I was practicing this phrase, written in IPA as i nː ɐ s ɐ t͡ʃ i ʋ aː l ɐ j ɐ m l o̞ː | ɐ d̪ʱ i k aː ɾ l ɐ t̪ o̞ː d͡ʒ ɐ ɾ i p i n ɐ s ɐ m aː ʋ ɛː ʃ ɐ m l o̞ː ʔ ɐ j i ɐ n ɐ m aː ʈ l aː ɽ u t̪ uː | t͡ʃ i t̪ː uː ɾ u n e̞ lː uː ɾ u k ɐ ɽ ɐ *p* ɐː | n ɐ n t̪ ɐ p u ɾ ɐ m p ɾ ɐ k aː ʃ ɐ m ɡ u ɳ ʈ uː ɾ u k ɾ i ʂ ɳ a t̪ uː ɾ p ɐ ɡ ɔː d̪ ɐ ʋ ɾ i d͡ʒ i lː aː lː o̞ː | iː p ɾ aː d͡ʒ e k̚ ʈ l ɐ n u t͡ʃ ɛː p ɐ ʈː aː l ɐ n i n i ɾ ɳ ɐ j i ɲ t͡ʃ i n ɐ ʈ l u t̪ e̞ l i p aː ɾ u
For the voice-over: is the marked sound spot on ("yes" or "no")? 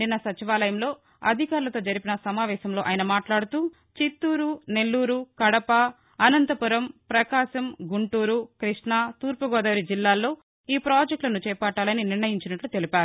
yes